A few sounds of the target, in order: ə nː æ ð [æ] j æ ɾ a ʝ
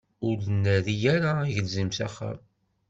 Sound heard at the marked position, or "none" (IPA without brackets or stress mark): i